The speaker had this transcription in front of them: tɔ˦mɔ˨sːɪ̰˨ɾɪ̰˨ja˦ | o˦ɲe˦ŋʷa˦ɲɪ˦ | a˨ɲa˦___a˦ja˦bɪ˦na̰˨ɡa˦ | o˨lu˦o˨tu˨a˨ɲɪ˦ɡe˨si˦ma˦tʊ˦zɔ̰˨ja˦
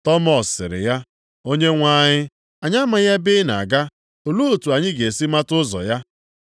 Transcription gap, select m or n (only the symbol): m